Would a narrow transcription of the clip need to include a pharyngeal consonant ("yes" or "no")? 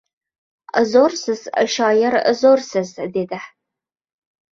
yes